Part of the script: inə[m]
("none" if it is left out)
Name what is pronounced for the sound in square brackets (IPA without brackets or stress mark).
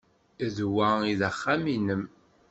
m